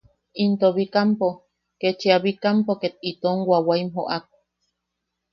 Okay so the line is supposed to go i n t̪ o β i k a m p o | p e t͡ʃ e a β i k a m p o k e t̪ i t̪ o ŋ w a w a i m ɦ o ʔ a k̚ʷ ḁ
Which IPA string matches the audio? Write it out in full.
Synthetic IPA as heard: i n t̪ o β i k a m p o | k e t͡ʃ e a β i k a m p o k e t̪ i t̪ o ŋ w a w a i m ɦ o ʔ a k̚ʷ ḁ

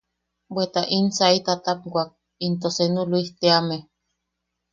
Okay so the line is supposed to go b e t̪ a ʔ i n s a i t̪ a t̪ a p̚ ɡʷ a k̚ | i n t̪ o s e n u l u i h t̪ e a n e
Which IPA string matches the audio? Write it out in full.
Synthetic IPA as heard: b e t̪ a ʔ i n s a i t̪ a t̪ a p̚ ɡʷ a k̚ | i n t̪ o s e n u l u i h t̪ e a m e

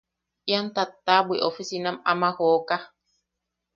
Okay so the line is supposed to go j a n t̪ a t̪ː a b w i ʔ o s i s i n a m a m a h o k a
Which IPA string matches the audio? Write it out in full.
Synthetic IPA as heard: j a n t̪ a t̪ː a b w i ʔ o f i s i n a m a m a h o k a

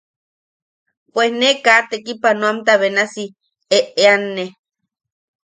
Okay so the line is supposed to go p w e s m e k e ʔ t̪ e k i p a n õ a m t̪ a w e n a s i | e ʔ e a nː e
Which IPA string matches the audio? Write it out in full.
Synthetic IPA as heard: p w e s n e k a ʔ t̪ e k i p a n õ a m t̪ a β e n a s i | e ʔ e a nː e

